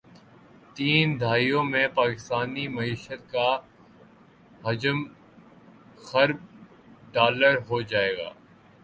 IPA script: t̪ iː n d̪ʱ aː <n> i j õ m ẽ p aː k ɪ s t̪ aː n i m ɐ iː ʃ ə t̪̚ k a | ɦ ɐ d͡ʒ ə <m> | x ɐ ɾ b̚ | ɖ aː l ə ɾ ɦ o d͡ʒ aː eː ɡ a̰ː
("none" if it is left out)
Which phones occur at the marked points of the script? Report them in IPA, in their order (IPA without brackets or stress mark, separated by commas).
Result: none, m